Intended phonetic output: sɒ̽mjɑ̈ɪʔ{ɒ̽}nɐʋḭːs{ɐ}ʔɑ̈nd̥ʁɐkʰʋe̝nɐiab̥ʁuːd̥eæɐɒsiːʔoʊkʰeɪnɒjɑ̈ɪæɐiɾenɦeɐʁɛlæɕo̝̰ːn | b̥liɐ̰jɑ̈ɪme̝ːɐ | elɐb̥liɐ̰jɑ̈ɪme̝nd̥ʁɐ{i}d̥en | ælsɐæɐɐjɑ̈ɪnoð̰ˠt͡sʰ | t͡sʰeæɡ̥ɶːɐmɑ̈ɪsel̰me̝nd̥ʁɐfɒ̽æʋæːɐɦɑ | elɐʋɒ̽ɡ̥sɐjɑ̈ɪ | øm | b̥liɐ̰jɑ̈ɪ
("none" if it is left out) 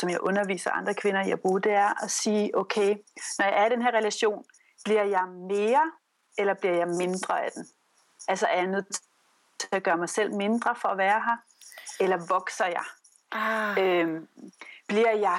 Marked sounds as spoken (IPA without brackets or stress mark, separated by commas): ɔ̽, ɐ, æ